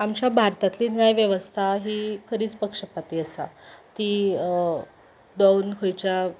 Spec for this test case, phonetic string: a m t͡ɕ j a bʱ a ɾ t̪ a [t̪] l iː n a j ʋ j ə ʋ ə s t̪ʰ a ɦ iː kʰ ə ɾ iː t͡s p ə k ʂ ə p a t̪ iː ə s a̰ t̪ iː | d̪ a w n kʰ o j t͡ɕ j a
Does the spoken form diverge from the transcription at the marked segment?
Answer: no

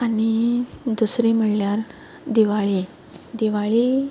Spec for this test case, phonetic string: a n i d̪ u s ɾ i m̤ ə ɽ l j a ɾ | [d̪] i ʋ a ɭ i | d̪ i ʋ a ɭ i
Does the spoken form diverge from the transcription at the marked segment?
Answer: no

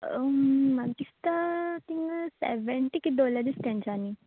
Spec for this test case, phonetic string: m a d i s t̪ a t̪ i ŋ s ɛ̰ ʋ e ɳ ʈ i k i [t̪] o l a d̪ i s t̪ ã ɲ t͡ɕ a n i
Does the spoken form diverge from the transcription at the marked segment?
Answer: yes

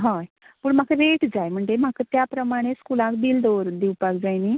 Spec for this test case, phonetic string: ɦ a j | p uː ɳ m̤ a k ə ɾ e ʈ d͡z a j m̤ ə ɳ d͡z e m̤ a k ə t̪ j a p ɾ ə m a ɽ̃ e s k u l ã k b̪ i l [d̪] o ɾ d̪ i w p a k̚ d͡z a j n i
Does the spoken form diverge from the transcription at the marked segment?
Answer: no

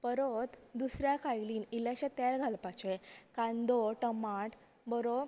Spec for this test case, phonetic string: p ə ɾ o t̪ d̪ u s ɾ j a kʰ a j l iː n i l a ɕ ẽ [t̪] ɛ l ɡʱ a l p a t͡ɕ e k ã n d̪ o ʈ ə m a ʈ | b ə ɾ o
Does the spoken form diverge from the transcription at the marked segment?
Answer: no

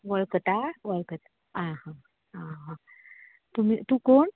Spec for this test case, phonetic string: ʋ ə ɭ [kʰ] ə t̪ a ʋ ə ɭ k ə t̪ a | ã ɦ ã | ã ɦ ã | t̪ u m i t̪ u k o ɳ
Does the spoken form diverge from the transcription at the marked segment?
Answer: yes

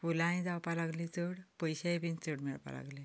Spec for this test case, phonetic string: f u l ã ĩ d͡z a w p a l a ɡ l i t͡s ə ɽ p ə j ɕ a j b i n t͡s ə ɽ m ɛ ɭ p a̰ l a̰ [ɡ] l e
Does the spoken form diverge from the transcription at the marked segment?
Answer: no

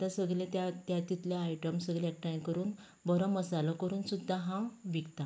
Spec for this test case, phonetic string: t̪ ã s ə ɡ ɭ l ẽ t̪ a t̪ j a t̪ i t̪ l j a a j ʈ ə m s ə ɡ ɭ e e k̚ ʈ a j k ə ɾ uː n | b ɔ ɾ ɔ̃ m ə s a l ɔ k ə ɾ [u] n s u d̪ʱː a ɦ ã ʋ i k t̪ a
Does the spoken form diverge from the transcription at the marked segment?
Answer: yes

